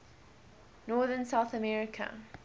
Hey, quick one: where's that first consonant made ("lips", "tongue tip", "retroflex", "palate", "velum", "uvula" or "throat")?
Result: tongue tip